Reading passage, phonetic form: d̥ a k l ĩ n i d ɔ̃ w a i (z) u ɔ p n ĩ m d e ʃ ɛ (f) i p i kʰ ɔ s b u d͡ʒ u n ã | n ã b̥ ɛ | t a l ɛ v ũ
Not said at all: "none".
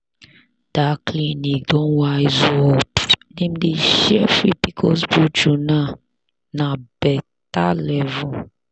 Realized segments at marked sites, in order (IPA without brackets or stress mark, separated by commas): z, f